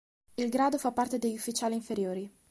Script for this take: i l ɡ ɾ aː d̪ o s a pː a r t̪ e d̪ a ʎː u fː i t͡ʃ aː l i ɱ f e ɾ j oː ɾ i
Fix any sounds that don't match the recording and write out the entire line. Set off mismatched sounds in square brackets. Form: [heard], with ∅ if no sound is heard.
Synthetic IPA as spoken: i l ɡ ɾ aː d̪ o [f] a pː a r t̪ e d̪ [e] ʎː u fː i t͡ʃ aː l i ɱ f e ɾ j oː ɾ i